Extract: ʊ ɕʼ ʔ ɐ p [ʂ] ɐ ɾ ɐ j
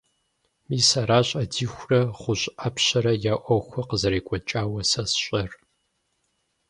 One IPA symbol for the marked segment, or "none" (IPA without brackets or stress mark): ɕ